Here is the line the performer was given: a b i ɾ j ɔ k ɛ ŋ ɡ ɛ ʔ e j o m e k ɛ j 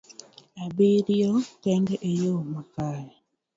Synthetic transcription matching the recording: a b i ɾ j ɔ k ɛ ŋ ɡ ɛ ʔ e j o m a k a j

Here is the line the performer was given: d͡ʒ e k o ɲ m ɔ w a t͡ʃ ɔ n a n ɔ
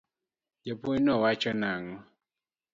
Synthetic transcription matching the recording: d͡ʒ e p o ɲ n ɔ w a t͡ʃ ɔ n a ŋ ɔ

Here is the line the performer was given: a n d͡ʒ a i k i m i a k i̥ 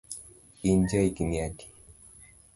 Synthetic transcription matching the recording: i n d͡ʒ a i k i n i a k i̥

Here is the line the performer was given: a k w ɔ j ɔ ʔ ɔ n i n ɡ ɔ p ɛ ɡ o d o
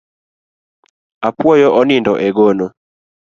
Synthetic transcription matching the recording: a p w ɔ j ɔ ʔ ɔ n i n d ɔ ʔ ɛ ɡ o n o

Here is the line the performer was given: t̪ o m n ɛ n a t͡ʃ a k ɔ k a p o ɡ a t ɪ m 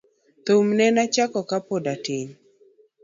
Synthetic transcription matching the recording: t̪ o m n ɛ n a t͡ʃ a k ɔ k a p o d a t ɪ ɲ

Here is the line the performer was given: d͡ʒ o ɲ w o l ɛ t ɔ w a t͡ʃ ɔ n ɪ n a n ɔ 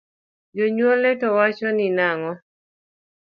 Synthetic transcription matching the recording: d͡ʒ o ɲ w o l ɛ t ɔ w a t͡ʃ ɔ n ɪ n a ŋ ɔ

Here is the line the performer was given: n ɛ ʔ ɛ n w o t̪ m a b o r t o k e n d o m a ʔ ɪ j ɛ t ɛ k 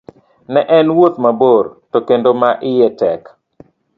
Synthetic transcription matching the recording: n ɛ ʔ ɛ n w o t̪ m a b o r t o k e n d o m a ʔ ɪ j ɛ t ɛ k

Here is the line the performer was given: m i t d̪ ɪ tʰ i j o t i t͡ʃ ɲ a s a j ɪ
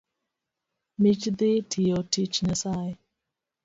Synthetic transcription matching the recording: m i t͡ʃ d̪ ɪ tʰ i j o t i t͡ʃ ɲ a s a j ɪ

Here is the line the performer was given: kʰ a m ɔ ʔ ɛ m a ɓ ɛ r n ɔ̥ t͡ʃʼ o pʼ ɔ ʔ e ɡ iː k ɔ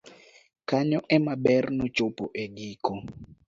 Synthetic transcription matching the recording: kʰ a ɲ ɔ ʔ ɛ m a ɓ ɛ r n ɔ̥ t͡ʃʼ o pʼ ɔ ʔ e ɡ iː k ɔ

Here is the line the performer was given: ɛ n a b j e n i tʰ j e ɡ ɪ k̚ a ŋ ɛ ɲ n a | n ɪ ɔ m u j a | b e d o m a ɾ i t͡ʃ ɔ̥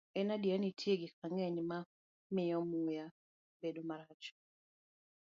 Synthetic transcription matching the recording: ɛ n a d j a n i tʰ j e ɡ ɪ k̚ a ŋ ɛ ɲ m a | m ɪ ɔ m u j a | b e d o m a ɾ a t͡ʃ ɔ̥

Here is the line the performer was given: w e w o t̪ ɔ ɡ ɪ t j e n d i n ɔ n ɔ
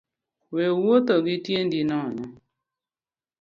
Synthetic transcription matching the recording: w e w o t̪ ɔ ɡ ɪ t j e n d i n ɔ n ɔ

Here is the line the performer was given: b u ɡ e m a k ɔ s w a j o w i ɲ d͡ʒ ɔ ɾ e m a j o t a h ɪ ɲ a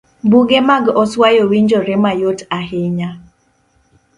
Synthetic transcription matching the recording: b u ɡ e m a ɡ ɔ s w a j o w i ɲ d͡ʒ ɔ ɾ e m a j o t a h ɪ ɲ a

